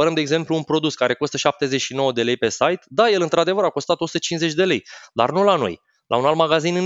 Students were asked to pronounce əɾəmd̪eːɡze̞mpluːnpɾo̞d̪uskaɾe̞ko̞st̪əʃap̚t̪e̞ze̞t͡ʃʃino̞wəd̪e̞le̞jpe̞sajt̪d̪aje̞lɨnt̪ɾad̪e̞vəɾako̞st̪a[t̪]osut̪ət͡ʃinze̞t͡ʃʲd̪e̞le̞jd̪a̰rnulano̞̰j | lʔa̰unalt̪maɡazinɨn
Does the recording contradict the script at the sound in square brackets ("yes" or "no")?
no